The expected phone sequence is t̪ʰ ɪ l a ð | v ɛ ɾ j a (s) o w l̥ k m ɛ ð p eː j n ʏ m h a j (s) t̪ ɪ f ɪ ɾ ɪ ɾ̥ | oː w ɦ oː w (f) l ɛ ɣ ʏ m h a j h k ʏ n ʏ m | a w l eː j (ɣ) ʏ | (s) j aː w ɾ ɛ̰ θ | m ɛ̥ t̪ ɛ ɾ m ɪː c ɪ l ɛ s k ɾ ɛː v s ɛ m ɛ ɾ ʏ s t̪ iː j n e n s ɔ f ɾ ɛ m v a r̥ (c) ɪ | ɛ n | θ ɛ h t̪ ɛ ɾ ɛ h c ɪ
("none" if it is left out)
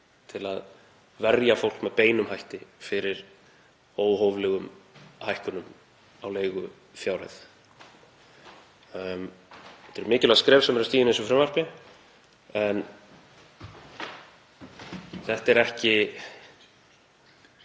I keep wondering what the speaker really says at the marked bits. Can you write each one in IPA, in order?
f, h, v, ɣ, f, p

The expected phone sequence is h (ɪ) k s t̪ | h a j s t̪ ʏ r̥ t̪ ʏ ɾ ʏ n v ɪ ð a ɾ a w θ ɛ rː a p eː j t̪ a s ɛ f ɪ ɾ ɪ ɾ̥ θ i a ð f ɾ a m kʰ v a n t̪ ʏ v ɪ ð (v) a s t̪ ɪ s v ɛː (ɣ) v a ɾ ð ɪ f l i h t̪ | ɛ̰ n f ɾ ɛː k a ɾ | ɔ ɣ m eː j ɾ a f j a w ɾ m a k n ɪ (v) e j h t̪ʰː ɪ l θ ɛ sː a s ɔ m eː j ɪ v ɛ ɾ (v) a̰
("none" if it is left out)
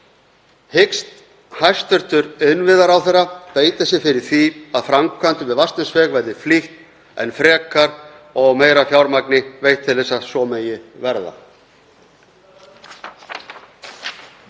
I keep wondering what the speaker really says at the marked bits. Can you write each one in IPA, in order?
ɪ, v, ɣ, v, ð

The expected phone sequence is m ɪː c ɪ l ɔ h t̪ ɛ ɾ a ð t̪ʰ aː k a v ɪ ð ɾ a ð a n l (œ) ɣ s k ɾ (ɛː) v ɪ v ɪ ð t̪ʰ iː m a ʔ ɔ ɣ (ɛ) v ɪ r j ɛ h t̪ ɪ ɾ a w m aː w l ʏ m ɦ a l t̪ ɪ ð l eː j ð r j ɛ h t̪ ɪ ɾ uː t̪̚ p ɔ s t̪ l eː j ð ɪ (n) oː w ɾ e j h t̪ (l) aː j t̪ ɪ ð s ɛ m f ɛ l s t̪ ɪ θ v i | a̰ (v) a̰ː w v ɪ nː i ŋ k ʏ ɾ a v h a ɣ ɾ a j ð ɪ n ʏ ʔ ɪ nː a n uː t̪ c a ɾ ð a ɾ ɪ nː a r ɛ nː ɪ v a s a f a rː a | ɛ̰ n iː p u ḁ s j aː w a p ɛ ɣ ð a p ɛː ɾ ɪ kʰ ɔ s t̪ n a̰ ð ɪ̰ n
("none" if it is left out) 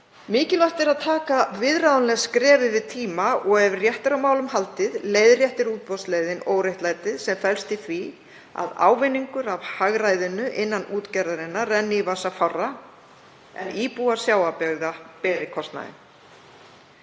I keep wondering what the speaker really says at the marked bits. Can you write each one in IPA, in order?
ɛ, ɛː, ɛ, n, l, ð

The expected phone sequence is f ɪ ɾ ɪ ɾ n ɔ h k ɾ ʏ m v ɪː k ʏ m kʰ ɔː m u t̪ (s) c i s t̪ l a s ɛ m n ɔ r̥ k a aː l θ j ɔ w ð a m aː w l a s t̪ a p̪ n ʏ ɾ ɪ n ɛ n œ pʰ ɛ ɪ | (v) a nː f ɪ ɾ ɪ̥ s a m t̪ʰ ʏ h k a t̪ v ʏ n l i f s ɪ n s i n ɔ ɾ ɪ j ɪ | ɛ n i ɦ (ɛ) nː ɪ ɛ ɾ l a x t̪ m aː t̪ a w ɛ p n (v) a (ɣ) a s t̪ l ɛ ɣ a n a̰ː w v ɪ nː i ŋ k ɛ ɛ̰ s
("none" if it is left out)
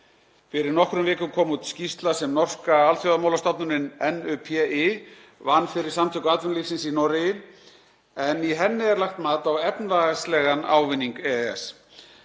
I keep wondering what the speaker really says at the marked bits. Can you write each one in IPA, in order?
s, v, ɛ, v, ɣ

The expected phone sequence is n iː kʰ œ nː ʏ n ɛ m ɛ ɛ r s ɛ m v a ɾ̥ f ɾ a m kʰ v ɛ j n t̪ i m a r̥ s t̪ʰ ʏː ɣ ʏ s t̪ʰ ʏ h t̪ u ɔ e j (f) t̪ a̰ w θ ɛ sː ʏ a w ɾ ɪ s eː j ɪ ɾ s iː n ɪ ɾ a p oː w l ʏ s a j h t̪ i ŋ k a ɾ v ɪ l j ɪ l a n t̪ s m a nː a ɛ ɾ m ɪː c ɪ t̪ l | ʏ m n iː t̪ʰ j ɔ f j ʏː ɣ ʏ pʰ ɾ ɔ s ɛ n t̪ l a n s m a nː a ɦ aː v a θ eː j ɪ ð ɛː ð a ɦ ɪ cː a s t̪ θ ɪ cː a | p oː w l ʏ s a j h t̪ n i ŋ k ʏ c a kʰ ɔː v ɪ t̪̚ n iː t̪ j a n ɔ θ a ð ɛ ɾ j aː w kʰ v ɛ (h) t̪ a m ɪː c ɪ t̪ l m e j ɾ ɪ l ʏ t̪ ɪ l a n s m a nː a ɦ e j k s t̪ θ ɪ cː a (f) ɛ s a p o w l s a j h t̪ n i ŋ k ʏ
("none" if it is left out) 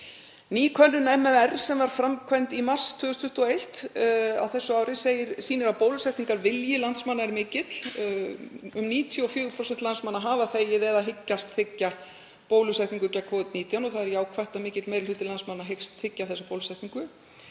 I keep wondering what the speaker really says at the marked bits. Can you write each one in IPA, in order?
h, h, θ

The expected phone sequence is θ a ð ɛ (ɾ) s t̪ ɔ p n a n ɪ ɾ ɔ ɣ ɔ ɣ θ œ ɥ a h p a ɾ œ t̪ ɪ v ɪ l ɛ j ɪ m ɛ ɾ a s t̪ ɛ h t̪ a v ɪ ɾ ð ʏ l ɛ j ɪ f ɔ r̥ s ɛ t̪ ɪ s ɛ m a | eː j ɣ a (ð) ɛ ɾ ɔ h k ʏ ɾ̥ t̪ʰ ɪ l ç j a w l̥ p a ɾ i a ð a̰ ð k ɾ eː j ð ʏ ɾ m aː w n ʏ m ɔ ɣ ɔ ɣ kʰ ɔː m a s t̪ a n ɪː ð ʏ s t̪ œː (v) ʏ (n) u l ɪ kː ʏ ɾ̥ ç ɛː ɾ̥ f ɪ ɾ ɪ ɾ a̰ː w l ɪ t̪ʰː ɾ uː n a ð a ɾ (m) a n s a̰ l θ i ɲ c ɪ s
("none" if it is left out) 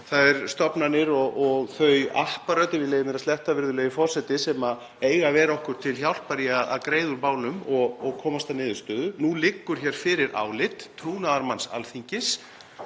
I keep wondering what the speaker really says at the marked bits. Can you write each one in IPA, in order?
ɾ, v, ð, n, m

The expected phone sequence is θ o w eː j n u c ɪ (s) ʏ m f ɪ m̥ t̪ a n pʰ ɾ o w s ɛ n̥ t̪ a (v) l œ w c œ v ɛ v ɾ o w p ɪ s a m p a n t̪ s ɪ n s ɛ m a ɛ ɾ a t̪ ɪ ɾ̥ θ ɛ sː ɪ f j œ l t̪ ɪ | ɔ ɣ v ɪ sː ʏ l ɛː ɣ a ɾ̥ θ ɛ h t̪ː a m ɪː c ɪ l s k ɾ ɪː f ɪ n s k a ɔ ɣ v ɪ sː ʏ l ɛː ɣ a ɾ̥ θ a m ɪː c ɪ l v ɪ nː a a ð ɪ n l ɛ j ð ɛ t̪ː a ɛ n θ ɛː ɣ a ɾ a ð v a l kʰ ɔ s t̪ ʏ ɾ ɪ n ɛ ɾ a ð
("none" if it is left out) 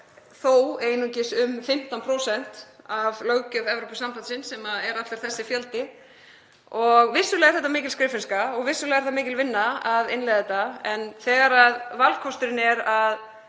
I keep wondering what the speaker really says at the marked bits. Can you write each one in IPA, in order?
s, v

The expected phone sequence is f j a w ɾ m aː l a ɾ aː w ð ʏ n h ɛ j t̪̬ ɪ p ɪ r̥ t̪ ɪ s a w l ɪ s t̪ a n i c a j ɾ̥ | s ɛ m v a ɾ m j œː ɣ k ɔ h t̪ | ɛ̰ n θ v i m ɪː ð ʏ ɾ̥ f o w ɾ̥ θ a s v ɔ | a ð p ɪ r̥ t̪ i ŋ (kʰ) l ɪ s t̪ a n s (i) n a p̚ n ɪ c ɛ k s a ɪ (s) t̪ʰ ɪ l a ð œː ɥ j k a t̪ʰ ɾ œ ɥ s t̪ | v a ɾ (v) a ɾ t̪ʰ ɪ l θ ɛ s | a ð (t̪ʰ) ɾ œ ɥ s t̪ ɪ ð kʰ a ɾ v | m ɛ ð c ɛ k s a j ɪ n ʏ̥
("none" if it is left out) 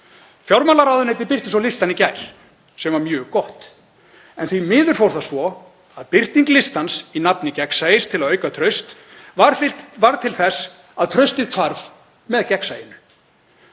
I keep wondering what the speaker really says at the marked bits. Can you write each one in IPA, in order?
k, i, s, v, t̪ʰ

